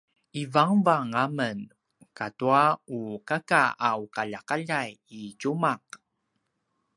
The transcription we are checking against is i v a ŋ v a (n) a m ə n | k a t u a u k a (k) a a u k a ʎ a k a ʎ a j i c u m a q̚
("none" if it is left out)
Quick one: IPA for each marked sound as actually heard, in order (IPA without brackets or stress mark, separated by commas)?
ŋ, k